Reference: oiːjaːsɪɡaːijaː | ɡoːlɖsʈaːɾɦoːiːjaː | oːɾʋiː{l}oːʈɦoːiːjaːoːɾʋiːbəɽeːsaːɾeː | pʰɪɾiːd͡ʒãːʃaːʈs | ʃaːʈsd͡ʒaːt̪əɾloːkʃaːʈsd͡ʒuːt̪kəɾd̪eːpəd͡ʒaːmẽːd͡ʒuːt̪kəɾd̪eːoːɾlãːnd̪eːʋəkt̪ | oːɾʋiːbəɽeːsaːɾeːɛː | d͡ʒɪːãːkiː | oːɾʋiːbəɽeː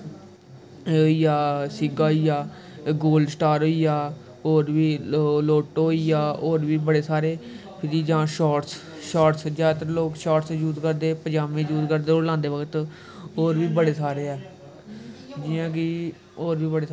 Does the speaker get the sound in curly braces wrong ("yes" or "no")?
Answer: no